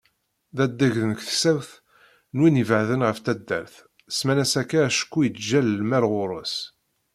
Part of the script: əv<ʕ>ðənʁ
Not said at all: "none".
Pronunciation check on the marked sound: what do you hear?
ʕ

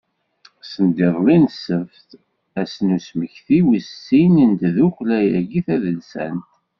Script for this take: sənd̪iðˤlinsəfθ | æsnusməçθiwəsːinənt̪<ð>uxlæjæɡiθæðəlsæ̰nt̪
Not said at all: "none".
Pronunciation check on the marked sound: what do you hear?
ð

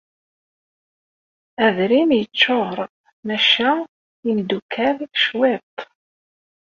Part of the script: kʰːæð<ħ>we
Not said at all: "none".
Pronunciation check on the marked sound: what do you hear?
ʃ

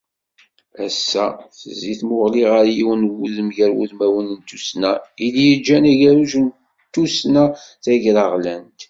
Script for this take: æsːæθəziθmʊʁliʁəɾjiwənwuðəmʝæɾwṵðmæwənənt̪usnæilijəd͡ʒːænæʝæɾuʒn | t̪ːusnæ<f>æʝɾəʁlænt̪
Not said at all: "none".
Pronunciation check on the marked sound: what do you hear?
θ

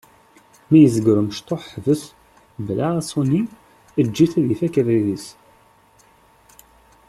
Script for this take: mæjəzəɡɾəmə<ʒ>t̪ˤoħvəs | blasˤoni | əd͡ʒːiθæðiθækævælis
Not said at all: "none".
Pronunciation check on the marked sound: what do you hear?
ʃ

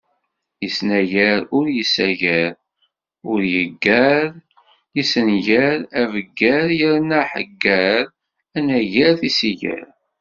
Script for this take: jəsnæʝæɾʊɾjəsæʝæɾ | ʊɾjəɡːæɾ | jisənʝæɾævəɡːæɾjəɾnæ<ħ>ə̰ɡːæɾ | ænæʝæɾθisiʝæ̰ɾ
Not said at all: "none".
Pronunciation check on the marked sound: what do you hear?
ħ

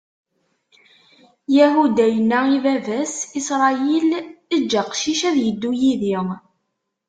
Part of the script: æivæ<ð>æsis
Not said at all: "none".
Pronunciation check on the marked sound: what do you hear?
v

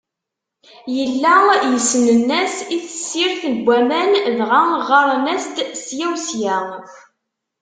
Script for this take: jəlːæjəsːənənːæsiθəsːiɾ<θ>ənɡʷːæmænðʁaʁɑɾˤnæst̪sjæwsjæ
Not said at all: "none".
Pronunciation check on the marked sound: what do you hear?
θ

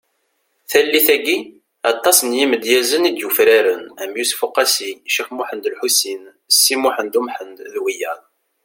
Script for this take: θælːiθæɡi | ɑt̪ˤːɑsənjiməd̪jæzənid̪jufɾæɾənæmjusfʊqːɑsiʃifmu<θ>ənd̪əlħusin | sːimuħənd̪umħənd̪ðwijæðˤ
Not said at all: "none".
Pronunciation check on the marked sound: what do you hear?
ħ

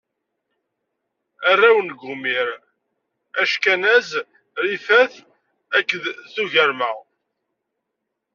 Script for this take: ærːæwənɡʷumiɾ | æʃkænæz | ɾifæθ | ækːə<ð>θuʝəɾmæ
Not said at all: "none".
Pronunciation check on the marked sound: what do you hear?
ð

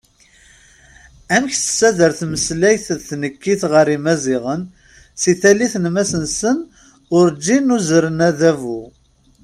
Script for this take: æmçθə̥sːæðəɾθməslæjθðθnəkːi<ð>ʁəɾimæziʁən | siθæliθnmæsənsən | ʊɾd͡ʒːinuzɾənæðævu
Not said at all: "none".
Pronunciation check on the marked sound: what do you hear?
θ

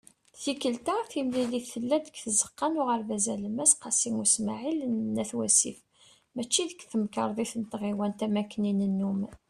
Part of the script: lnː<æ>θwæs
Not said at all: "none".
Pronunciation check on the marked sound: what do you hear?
æ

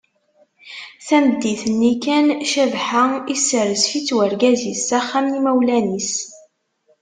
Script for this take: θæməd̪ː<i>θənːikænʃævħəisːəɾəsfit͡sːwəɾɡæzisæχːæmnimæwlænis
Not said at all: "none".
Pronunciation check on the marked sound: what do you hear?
i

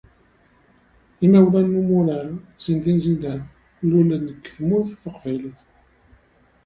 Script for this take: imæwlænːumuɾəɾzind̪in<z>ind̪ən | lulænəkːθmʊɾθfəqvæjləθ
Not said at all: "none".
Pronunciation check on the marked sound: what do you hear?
z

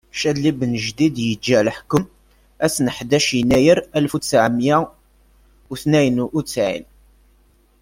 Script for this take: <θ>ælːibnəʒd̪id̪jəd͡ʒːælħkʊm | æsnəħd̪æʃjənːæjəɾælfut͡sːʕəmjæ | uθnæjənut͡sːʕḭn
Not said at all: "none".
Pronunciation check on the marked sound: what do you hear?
ʃ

